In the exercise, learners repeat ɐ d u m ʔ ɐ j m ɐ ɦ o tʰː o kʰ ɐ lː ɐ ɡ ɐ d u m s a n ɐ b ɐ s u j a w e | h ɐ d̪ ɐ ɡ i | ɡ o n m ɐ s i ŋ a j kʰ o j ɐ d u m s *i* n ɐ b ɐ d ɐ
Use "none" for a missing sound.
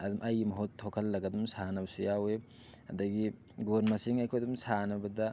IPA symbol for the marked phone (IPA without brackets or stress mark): a